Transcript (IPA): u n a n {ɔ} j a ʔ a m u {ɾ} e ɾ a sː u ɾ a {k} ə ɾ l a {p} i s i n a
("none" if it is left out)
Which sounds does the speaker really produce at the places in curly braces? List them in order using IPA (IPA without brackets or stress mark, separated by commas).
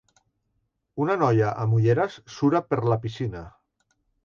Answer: ɔ, ʎ, p, p